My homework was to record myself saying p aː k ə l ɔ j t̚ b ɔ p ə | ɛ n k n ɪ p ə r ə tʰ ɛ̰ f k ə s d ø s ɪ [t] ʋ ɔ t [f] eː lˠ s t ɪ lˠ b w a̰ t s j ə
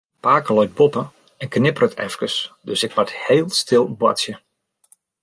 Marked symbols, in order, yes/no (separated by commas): no, no